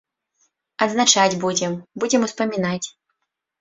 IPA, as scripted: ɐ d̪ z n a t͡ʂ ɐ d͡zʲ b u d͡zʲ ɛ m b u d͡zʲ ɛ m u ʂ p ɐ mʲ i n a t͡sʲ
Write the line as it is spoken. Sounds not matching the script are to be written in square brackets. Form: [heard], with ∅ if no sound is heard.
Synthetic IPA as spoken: ɐ d̪ z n a t͡ʂ [a] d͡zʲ b u d͡zʲ ɛ m b u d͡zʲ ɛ m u [s] p ɐ mʲ i n a t͡sʲ